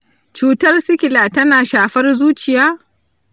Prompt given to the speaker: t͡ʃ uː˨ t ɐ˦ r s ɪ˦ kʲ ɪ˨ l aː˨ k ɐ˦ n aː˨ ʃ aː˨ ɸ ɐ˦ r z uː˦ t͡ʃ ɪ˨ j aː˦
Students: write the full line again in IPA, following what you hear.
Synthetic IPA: t͡ʃ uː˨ t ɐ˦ r s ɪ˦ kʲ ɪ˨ l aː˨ t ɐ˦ n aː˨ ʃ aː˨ ɸ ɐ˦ r z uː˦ t͡ʃ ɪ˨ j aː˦